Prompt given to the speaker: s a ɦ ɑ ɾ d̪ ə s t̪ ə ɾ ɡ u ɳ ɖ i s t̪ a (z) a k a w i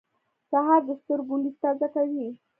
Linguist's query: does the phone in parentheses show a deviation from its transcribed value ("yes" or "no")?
no